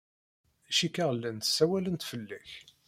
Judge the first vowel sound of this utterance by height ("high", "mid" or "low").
low